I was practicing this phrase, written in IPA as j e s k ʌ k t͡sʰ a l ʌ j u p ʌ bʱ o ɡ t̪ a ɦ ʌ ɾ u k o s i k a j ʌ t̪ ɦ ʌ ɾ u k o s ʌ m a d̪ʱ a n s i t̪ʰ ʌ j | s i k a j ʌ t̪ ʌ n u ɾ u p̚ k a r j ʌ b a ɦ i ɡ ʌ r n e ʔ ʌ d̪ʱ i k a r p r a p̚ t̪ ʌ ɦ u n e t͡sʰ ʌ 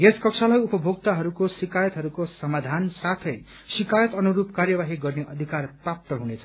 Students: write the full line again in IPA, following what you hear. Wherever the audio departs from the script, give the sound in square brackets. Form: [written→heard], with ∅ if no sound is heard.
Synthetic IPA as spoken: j e s k ʌ k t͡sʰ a l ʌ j u p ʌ bʱ o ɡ t̪ a ɦ ʌ ɾ u k o s i k a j ʌ t̪ ɦ ʌ ɾ u k o s ʌ m a d̪ʱ a n s [i→a] t̪ʰ ʌ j | s i k a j ʌ t̪ ʌ n u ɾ u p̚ k a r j ʌ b a ɦ i ɡ ʌ r n e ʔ ʌ d̪ʱ i k a r p r a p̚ t̪ ʌ ɦ u n e t͡sʰ ʌ